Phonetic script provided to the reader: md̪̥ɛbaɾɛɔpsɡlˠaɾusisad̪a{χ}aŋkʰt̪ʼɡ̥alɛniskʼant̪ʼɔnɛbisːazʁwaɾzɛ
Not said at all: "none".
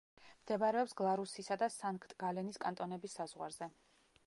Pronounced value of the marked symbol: s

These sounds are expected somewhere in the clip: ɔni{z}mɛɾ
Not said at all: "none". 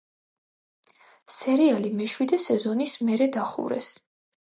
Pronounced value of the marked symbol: s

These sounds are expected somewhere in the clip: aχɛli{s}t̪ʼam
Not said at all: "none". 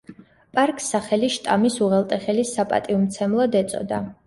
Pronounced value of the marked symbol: ʃ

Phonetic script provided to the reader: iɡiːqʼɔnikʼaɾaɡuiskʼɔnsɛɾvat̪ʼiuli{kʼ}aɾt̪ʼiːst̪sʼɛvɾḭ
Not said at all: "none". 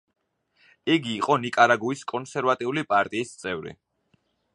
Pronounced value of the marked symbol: pʼ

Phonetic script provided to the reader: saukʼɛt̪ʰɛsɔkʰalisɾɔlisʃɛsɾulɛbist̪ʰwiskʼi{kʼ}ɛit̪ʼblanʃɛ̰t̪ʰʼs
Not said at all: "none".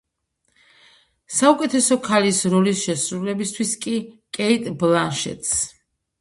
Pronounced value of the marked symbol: kʼ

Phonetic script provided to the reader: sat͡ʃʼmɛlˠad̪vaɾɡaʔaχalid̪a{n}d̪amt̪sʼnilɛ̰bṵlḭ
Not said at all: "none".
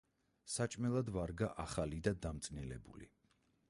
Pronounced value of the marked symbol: none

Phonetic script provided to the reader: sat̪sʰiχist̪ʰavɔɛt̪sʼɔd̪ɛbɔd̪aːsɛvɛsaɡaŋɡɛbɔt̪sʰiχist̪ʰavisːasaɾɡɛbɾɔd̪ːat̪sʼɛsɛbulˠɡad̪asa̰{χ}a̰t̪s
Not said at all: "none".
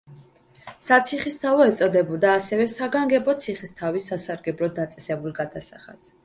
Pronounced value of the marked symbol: χ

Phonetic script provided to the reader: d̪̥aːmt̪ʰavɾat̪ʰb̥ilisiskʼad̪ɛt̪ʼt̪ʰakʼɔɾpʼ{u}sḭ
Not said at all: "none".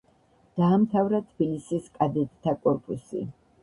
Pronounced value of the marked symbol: u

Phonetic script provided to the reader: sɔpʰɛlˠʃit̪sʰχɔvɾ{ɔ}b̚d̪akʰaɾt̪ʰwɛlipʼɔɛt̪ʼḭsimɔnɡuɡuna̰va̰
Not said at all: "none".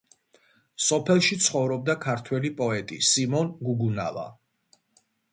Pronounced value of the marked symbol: ɔ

